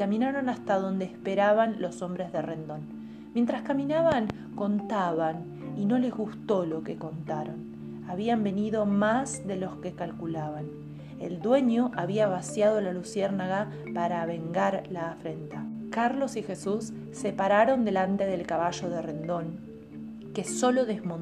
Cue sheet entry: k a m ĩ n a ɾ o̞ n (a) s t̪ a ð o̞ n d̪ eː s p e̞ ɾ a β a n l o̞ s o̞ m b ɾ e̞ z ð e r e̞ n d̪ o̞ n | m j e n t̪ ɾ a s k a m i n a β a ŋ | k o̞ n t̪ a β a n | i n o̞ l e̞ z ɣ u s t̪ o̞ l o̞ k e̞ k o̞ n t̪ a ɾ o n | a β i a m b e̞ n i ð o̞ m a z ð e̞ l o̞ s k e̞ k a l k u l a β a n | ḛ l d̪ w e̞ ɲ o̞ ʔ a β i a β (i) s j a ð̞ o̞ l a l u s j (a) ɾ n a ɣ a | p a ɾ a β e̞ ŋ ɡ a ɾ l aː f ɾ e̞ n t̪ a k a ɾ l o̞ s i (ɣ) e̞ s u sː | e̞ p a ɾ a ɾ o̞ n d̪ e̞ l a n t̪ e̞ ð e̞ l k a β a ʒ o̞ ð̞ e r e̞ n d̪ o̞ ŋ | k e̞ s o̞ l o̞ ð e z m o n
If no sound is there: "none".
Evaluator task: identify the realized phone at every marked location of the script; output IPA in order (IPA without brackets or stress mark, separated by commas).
a, a, e, x